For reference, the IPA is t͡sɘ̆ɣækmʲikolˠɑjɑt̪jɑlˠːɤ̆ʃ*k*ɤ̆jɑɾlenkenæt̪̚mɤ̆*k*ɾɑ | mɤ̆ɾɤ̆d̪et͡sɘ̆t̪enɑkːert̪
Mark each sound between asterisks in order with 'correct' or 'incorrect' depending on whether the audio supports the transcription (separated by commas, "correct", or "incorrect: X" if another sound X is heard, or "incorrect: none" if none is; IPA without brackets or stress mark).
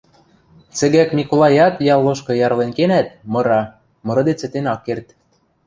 correct, incorrect: none